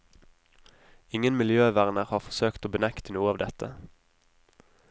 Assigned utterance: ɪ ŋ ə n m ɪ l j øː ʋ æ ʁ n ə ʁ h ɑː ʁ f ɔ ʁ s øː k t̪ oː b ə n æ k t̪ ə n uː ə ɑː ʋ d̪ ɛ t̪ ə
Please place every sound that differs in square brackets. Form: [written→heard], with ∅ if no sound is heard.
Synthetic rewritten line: ɪ ŋ ə n m ɪ l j øː ʋ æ ʁ n ə ʁ h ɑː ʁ f ɔ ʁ s øː k t̪ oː b ə n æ k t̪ ə n uː ə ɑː ʋ d̪ ɛ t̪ ə

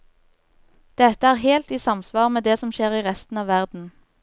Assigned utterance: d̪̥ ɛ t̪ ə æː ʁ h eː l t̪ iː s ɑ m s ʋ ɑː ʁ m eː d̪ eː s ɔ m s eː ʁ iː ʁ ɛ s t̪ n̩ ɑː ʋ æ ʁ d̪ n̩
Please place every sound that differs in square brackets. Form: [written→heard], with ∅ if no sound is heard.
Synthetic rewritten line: d̪̥ ɛ t̪ ə æː ʁ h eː l t̪ iː s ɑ m s ʋ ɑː ʁ m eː d̪ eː s ɔ m [s→ʃ] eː ʁ iː ʁ ɛ s t̪ n̩ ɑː ʋ æ ʁ d̪ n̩

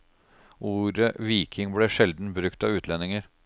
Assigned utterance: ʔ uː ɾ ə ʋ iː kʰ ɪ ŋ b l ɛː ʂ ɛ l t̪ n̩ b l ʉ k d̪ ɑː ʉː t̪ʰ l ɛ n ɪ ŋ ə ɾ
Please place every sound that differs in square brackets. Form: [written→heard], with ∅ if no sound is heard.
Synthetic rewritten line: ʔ uː ɾ ə ʋ iː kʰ ɪ ŋ b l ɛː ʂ ɛ l [t̪→d̪] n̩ b [l→ɾ] ʉ k [d̪→t̪] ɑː ʉː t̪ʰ l ɛ n ɪ ŋ ə ɾ

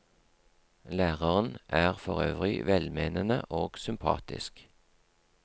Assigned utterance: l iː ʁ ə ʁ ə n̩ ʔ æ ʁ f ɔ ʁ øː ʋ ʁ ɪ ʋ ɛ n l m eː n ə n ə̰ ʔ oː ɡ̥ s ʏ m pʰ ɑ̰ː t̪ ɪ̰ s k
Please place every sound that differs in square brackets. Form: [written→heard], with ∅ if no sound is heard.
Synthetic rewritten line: l [iː→æː] ʁ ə ʁ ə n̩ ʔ [æ→æː] ʁ f ɔ ʁ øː ʋ ʁ ɪ ʋ ɛ [n→∅] l m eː n ə n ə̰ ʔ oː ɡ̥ s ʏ m pʰ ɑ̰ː t̪ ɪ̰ s k

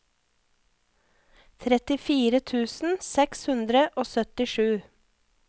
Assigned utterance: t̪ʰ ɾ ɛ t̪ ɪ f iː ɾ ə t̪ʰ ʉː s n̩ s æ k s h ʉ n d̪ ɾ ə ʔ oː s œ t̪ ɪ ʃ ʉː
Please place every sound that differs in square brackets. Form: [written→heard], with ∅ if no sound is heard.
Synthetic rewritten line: t̪ʰ ɾ ɛ t̪ ɪ f iː ɾ ə t̪ʰ ʉː s n̩ s [æ→ɛ] k s h ʉ n d̪ ɾ ə ʔ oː s œ t̪ ɪ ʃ ʉː

